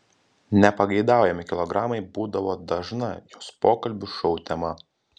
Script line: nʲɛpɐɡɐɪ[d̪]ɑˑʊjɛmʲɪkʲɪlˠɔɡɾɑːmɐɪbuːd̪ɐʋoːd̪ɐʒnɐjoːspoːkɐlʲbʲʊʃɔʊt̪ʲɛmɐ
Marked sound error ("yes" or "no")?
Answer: no